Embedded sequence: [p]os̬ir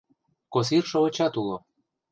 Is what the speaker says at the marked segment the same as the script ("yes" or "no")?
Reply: no